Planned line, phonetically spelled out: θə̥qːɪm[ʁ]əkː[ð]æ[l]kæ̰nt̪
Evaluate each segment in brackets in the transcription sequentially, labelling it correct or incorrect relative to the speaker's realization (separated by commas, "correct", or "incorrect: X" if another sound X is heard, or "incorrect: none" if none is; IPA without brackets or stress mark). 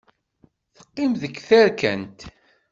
incorrect: ð, incorrect: θ, incorrect: ɾ